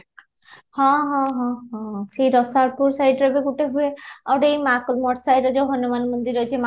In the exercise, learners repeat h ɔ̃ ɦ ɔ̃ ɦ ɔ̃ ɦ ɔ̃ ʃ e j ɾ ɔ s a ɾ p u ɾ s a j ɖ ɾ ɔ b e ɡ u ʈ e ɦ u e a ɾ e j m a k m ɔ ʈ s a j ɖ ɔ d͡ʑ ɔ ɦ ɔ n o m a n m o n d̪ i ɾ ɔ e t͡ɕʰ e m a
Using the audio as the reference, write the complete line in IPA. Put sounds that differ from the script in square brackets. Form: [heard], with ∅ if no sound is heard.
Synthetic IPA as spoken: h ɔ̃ ɦ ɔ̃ ɦ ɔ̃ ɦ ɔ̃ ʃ e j ɾ ɔ s a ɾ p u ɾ s a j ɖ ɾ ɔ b e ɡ u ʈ e ɦ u e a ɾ e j m a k m ɔ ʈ s a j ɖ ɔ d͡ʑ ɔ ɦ ɔ n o m a n m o n d̪ i ɾ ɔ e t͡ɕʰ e m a